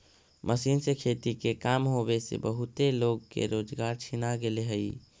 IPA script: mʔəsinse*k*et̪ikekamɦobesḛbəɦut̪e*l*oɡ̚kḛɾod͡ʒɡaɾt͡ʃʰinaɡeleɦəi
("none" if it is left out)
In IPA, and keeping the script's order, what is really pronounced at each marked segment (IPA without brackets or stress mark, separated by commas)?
kʰ, l